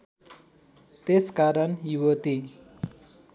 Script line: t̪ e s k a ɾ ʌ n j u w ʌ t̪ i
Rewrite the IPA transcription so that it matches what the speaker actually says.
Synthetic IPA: t̪ e s k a ɾ ʌ n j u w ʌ t̪ i